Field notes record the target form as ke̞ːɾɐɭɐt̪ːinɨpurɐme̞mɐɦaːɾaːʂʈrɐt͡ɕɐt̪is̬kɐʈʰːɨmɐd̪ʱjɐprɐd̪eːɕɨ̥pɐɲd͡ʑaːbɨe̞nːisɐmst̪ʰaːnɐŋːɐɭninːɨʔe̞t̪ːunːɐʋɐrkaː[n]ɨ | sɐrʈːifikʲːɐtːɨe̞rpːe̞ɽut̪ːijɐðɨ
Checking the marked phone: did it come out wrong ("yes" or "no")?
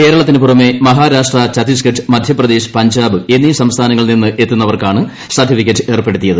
yes